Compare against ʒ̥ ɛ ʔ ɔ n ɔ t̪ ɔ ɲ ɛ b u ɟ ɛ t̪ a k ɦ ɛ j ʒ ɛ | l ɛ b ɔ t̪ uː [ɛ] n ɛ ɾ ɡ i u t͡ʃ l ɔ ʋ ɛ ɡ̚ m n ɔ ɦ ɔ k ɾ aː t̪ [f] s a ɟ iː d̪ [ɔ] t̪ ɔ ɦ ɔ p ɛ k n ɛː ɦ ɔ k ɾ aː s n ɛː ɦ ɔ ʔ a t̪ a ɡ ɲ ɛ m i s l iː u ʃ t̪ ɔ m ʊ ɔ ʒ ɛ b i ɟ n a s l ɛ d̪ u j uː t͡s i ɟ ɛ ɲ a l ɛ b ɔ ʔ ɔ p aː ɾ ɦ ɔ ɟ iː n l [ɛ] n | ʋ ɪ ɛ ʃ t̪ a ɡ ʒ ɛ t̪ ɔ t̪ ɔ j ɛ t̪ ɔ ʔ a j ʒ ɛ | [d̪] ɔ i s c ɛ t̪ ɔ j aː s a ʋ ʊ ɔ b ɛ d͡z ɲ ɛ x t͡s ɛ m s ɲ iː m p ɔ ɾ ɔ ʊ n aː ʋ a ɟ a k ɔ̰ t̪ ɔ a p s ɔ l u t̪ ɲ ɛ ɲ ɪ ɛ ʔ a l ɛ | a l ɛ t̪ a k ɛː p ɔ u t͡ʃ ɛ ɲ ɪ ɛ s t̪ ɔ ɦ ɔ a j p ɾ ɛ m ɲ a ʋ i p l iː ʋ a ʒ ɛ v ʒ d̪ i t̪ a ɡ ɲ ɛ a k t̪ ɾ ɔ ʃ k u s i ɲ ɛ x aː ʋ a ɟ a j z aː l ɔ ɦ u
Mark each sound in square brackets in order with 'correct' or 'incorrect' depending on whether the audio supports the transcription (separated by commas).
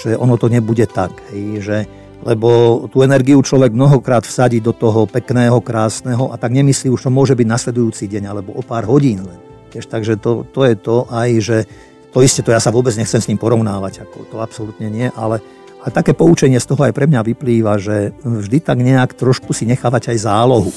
correct, correct, correct, correct, incorrect